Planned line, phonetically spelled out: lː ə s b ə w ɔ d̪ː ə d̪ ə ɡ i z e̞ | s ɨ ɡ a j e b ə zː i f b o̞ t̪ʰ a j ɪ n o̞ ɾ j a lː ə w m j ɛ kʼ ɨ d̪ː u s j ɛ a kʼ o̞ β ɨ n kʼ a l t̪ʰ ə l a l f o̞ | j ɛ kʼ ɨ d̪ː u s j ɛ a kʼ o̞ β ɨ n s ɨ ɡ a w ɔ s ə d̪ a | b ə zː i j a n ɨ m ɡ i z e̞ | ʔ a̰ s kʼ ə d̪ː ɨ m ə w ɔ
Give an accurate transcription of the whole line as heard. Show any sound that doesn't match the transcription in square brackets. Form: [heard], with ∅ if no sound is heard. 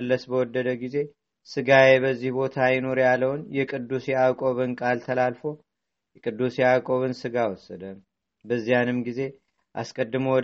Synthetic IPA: lː ə s b ə w ɔ d̪ː ə d̪ ə ɡ i z e̞ | s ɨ ɡ a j e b ə zː i [h] b o̞ t̪ʰ a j ɪ n o̞ ɾ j a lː ə w [n] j ɛ kʼ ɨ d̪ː u s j ɛ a kʼ o̞ β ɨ n kʼ a l t̪ʰ ə l a l f o̞ | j ɛ kʼ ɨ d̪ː u s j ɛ a kʼ o̞ β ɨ n s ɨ ɡ a w ɔ s ə d̪ [ə] | b ə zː i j a n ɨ m ɡ i z e̞ | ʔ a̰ s kʼ ə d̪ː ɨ m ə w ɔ